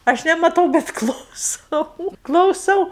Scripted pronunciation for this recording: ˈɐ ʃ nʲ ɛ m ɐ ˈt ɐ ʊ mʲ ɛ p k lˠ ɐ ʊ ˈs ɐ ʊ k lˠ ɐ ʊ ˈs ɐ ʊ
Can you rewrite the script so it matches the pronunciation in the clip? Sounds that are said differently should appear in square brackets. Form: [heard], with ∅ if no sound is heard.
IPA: ˈɐ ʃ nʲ ɛ m ɐ ˈt ɐ ʊ [bʲ] ɛ [t] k lˠ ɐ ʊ ˈs ɐ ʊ k lˠ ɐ ʊ ˈs ɐ ʊ

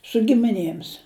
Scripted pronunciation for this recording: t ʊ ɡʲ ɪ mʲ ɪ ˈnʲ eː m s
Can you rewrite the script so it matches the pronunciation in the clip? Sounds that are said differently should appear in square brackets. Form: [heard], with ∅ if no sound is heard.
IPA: [s] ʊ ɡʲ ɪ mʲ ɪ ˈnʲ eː m s

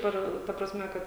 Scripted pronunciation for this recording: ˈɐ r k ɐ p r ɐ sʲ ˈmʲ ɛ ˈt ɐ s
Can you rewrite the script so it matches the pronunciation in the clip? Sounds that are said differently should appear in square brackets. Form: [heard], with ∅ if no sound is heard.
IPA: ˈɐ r [t] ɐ p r ɐ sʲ ˈmʲ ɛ [ˈk] ɐ [t]

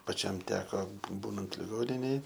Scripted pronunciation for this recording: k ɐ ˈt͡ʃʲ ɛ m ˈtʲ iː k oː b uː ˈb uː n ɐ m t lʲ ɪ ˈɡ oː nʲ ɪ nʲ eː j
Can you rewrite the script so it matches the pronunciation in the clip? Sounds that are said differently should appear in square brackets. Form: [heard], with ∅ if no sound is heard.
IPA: [p] ɐ ˈt͡ʃʲ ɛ m ˈtʲ [æː] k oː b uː ˈb uː n ɐ [n] t lʲ ɪ ˈɡ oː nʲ ɪ nʲ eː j

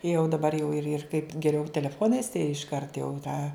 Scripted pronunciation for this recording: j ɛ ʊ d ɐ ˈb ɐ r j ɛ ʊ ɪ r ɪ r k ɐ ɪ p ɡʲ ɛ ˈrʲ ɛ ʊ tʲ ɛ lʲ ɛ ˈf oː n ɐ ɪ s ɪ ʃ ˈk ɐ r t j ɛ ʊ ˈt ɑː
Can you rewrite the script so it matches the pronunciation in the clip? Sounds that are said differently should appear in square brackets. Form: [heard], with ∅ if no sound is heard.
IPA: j ɛ ʊ d ɐ ˈb ɐ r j ɛ ʊ ɪ r ɪ r k ɐ ɪ p ɡʲ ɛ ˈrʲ ɛ ʊ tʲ ɛ lʲ ɛ ˈf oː n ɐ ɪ s ɪ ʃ ˈk ɐ r t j ɛ ʊ ˈt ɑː

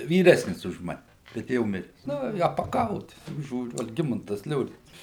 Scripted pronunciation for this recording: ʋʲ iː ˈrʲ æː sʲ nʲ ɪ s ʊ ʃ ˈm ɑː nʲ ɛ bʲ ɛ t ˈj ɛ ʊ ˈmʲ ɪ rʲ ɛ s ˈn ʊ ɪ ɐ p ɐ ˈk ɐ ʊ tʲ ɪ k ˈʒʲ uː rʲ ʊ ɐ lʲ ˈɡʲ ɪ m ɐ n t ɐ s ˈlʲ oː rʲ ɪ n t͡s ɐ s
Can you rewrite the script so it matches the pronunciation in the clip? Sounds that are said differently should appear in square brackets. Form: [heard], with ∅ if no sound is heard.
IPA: ʋʲ iː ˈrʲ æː sʲ nʲ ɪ s ʊ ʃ ˈm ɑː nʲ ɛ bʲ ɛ t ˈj ɛ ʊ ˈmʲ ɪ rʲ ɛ s ˈn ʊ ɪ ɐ p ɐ ˈk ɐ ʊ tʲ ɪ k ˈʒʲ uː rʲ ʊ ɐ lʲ ˈɡʲ ɪ m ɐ n t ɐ s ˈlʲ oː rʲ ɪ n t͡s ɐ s

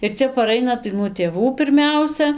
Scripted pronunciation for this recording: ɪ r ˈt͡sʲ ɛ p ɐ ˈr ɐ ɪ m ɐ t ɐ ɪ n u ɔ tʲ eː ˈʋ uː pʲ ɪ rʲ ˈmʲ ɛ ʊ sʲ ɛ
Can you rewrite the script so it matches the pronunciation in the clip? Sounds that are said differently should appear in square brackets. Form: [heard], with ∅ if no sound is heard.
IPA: ɪ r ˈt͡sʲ ɛ p ɐ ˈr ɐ ɪ [n] ɐ t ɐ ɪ n u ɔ tʲ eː ˈʋ uː pʲ ɪ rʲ ˈmʲ ɛ ʊ sʲ ɛ

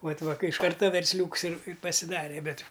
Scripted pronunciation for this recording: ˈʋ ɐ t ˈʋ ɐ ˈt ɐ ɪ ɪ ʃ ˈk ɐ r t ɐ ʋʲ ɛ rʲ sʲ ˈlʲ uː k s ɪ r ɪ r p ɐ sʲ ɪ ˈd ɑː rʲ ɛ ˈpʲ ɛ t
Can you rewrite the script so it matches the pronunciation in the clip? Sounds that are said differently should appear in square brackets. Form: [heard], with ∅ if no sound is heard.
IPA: ˈʋ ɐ t ˈʋ ɐ [ˈk] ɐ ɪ ɪ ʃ ˈk ɐ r t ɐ ʋʲ ɛ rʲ sʲ ˈlʲ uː k s ɪ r ɪ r p ɐ sʲ ɪ ˈd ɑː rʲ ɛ [ˈbʲ] ɛ t

